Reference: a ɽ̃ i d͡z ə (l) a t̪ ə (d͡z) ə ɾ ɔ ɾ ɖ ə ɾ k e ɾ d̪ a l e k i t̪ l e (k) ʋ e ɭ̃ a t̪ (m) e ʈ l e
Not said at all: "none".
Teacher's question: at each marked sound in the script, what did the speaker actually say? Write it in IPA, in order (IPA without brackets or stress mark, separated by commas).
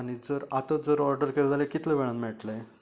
ɾ, d͡z, none, m